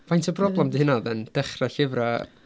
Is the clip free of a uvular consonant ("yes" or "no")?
no